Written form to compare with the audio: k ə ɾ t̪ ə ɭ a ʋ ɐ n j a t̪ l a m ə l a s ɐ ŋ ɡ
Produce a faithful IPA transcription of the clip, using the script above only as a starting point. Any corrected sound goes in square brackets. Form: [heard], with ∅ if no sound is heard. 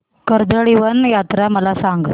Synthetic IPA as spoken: k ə ɾ [d̪] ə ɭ [i] ʋ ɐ n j a t̪ [ɾ] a m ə l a s [a] ŋ ɡ